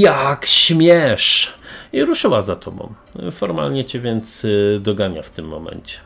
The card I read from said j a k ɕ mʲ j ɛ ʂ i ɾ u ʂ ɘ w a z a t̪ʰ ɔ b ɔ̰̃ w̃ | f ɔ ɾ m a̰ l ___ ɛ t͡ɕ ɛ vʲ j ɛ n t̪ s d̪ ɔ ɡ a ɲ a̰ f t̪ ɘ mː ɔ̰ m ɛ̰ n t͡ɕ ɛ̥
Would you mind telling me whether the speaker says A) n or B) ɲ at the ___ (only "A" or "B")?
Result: B